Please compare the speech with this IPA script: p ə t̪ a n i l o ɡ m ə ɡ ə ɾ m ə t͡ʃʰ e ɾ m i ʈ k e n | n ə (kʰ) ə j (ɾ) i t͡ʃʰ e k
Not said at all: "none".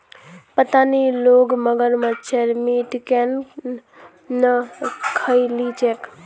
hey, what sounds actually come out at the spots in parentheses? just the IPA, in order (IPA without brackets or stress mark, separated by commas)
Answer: kʰ, l